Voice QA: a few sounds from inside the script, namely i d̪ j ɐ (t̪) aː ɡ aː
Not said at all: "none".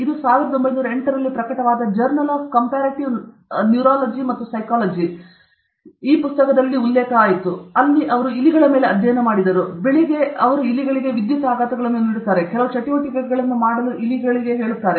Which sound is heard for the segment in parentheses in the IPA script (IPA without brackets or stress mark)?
t̪